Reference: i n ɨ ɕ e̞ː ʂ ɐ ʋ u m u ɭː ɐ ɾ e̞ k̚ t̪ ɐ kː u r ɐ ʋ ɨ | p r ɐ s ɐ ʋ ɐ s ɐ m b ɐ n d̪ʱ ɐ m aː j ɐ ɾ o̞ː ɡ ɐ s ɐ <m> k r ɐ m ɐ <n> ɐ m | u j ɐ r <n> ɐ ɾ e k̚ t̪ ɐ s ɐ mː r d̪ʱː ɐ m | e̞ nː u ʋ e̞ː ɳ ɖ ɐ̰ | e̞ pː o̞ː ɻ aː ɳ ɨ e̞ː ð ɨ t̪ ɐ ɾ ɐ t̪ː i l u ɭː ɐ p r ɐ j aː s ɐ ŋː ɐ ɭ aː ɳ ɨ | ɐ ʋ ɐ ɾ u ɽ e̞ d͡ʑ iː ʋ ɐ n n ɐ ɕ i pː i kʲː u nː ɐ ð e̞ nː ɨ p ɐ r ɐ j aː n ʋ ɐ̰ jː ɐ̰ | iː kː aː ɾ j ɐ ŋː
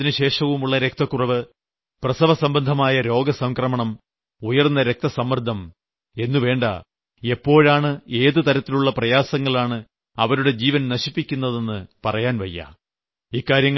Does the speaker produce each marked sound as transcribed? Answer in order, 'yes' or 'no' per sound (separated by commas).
no, no, no